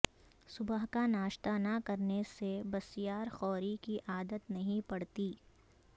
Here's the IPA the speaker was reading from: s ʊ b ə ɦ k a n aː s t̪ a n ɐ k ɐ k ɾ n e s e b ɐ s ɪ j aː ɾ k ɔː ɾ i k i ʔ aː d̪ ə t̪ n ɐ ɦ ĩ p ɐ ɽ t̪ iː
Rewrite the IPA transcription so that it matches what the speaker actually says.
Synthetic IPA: s ʊ b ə ɦ k a n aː ʃ t̪ a n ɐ k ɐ ɾ n e s e b ɐ s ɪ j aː ɾ x ɔː ɾ i k i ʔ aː d̪ ə t̪ n ɐ ɦ ĩ p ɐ ɽ t̪ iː